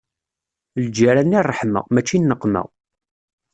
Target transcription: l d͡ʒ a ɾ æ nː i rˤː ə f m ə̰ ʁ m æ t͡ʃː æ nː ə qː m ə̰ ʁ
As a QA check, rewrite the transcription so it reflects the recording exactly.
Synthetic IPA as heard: l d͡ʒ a ɾ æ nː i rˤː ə ħ m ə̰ ʁ m æ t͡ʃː i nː ə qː m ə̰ ʁ